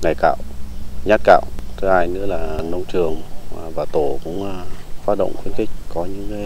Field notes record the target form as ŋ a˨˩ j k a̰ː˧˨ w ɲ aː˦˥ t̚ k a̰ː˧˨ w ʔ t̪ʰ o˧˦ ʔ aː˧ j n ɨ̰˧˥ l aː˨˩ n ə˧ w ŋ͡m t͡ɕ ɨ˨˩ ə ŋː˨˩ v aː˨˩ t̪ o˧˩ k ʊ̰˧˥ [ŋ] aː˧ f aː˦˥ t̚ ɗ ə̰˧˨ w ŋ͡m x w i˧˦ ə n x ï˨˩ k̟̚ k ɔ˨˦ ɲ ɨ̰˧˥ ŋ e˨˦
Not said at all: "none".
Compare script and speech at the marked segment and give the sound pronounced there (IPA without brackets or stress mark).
ŋ͡m